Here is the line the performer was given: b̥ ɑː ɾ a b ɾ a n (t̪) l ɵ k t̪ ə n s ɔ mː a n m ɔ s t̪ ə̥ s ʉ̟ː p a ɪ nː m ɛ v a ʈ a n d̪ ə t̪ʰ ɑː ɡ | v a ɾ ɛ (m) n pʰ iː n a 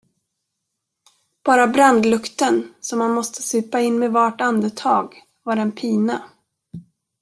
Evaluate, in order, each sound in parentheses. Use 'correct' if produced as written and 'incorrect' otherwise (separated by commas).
incorrect, incorrect